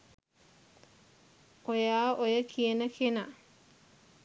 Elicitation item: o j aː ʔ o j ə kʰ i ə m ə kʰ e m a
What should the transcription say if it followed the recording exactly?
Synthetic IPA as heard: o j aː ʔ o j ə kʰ i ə n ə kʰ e n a